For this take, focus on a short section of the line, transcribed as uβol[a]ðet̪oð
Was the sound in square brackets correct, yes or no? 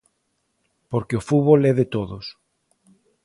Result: no